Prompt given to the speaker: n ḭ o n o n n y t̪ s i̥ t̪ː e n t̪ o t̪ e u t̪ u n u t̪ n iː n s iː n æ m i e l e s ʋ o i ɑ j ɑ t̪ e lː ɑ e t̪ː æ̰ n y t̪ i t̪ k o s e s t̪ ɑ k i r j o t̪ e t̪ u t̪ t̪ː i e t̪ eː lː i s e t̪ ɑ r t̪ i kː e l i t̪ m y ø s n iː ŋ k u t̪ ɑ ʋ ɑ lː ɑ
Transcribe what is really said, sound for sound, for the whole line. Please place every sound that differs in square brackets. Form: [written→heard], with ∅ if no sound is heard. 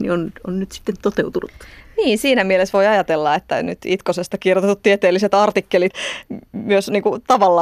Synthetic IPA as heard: n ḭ o n o n n y t̪ s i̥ t̪ː e n t̪ o t̪ e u t̪ u n u t̪ n iː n s iː n æ m i e l e s ʋ o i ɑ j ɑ t̪ e lː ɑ e t̪ː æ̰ n y t̪ i t̪ k o s e s t̪ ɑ k i r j o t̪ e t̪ u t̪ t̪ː i e t̪ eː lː i s e t̪ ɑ r t̪ i kː e l i t̪ m y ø s n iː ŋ k u t̪ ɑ ʋ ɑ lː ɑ